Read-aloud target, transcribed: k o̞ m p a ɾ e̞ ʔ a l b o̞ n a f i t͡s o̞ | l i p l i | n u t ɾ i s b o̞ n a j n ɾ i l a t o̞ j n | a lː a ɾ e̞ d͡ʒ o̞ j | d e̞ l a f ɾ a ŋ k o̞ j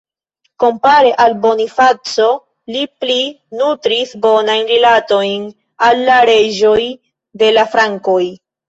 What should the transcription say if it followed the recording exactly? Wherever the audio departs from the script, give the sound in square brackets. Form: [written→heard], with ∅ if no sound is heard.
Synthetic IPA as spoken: k o̞ m p a ɾ e̞ ʔ a l b o̞ n [a→i] f [i→a] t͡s o̞ | l i p l i | n u t ɾ i s b o̞ n a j n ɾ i l a t o̞ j n | a lː a ɾ e̞ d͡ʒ o̞ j | d e̞ l a f ɾ a ŋ k o̞ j